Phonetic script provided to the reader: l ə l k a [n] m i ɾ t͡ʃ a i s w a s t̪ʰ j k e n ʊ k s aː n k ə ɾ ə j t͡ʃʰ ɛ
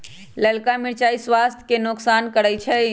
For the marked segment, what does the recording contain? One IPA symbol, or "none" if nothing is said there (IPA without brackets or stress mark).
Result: none